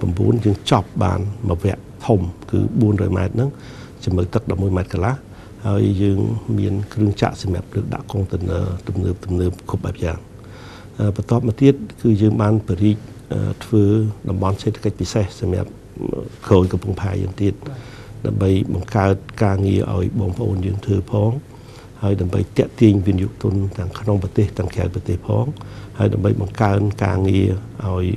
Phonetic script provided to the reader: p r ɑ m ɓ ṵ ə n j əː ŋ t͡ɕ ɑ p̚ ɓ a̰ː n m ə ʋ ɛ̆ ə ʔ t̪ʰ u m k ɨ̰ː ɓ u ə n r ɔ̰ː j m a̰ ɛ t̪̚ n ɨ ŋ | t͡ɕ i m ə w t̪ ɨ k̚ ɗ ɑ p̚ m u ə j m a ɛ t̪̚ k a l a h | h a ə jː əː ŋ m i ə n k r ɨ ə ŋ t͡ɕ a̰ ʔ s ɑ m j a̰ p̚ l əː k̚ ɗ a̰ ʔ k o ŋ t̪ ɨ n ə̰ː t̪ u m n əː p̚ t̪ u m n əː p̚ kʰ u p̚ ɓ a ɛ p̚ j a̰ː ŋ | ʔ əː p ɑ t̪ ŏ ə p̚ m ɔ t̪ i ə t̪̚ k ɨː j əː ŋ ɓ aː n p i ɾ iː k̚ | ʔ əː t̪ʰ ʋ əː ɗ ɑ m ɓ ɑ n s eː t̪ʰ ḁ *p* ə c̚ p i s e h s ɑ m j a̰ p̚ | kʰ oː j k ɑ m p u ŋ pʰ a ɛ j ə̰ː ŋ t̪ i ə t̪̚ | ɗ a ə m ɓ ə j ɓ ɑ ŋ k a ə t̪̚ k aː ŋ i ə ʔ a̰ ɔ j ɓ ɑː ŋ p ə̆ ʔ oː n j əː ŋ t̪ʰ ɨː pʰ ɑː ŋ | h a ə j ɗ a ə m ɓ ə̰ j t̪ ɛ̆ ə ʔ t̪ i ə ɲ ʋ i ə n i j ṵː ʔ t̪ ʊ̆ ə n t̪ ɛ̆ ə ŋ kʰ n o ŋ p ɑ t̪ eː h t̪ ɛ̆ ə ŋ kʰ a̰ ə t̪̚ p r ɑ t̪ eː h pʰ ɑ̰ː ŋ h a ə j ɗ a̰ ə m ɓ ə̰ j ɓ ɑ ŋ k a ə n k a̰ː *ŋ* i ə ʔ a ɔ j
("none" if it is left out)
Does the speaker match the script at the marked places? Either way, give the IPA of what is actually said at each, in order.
k, ŋ

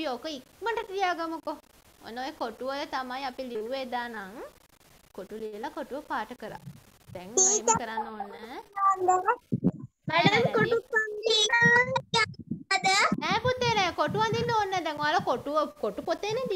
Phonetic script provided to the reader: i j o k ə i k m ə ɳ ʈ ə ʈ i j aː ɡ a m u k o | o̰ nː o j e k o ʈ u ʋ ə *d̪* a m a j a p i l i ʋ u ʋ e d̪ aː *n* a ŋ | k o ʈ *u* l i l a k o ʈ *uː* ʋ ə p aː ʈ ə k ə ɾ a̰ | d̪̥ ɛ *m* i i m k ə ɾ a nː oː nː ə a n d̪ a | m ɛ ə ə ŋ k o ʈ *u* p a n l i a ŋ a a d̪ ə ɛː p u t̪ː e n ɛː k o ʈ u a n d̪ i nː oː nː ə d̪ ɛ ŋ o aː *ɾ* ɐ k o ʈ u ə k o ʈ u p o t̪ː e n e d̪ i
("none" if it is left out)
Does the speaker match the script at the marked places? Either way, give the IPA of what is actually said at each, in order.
t̪, n, u, u, ŋ, u, l

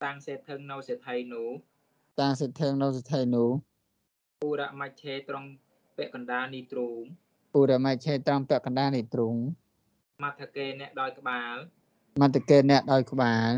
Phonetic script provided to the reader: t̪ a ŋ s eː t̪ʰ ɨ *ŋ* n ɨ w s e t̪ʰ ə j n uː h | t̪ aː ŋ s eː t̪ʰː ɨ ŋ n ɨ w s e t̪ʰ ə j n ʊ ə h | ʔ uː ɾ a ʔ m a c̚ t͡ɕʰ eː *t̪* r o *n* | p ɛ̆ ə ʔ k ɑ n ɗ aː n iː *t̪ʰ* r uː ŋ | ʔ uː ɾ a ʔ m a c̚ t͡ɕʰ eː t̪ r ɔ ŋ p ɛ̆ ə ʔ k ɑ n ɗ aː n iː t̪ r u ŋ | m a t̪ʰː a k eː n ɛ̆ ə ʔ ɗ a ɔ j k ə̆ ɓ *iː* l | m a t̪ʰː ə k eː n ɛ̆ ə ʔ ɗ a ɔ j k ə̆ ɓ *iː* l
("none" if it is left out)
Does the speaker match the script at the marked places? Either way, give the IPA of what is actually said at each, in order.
ŋ, t̪, ŋ, t̪, aː, aː

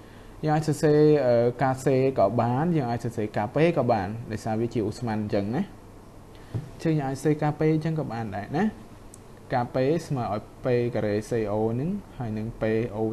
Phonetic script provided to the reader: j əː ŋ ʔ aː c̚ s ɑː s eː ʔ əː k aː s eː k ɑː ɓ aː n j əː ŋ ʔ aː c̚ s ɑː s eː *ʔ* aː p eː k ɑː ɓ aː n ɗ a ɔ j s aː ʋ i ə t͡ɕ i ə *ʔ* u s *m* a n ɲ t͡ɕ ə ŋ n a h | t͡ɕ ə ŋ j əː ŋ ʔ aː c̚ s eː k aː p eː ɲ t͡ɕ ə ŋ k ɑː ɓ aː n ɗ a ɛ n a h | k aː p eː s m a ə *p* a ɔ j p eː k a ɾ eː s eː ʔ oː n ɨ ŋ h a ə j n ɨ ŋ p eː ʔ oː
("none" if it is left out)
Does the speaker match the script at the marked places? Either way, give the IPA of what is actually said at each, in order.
k, ʔ, m, ʔ

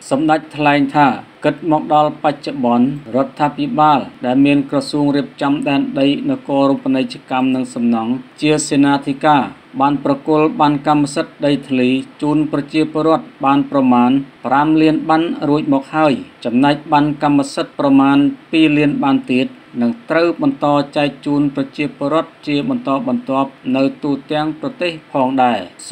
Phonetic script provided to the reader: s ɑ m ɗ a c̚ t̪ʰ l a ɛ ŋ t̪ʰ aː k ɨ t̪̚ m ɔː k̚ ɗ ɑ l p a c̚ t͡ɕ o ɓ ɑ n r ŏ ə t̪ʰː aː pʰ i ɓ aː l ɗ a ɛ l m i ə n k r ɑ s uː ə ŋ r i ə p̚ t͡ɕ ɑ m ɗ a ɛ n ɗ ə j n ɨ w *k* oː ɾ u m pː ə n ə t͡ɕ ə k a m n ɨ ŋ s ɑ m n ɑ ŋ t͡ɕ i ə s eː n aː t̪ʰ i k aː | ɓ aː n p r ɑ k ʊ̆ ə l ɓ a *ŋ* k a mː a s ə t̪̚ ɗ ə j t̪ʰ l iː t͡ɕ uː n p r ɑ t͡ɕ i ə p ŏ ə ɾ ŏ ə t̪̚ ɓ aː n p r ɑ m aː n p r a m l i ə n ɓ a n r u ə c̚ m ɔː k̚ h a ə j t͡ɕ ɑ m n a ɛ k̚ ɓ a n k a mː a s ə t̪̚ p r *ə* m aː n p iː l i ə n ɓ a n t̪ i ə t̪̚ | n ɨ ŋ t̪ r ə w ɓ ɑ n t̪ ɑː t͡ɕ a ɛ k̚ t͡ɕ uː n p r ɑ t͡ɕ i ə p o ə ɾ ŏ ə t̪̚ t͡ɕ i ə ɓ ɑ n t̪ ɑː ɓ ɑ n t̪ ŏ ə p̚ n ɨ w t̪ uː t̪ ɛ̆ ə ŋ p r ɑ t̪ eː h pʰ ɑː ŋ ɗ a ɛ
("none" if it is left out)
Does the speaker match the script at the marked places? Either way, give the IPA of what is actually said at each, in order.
k, n, ɑ

